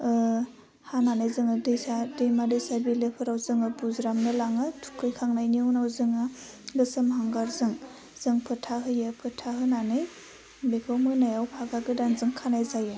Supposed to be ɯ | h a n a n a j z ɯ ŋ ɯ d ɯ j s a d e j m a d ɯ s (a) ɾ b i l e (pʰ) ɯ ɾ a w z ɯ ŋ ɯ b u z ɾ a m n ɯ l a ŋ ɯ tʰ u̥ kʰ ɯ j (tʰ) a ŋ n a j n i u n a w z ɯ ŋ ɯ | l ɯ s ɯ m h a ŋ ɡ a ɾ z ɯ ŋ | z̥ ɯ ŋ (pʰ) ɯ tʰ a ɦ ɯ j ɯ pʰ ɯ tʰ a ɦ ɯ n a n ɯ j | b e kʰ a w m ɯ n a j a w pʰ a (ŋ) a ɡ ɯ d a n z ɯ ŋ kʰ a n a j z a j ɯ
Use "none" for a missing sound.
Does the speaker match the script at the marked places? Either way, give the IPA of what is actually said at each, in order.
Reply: a, pʰ, kʰ, pʰ, ɡ

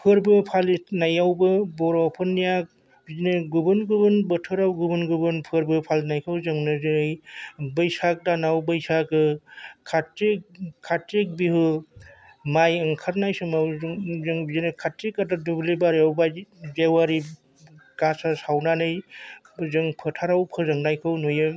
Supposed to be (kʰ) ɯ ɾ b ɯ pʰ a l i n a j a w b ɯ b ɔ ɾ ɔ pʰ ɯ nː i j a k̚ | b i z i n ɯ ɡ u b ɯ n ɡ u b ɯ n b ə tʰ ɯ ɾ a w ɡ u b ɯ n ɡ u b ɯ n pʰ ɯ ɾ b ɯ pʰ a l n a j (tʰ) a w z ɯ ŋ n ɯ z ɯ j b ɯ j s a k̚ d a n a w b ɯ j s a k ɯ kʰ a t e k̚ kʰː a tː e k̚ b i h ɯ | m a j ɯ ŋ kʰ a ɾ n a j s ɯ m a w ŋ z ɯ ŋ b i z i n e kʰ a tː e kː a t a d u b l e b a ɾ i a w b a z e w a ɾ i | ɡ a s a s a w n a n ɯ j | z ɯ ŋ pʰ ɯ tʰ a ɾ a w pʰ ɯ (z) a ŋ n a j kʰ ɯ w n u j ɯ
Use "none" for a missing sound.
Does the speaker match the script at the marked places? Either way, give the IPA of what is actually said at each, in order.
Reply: pʰ, kʰ, z

